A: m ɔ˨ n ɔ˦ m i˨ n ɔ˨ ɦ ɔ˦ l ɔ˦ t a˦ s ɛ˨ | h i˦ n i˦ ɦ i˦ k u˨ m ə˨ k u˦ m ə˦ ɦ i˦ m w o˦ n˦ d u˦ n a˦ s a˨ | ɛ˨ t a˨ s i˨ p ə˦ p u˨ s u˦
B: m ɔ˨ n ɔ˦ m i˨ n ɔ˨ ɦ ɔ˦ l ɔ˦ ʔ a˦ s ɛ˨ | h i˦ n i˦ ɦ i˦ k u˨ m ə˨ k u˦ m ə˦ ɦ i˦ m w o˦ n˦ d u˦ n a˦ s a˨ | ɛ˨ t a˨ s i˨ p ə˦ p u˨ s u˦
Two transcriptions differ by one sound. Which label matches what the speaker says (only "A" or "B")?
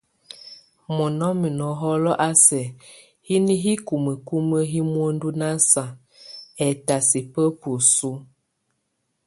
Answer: B